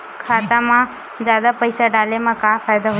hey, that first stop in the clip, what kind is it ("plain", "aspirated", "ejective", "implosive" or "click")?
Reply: aspirated